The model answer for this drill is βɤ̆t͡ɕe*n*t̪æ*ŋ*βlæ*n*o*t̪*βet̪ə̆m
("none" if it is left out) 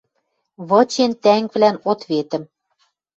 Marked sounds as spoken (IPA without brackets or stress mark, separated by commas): n, ŋ, n, t̪